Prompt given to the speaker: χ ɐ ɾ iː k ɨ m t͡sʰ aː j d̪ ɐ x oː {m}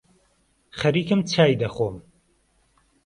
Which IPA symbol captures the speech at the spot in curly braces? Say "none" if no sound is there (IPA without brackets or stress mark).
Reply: m